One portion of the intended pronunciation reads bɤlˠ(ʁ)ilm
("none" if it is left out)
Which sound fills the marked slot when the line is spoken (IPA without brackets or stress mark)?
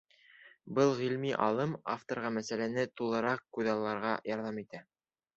ʁ